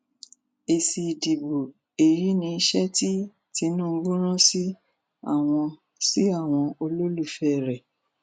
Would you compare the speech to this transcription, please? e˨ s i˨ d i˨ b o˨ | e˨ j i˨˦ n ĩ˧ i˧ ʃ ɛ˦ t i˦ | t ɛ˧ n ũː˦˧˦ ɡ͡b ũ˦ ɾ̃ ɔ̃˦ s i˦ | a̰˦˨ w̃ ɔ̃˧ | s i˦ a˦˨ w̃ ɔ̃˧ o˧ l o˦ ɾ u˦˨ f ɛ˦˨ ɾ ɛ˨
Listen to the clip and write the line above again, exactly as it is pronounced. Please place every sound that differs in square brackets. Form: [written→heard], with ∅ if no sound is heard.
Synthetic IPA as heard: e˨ s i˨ d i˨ b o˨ | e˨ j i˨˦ n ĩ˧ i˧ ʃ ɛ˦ t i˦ | t [ɛ˧→i˧] n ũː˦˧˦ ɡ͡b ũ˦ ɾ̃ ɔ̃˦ s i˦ | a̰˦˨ w̃ ɔ̃˧ | s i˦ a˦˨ w̃ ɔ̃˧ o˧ l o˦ [ɾ→l] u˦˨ f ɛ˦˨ ɾ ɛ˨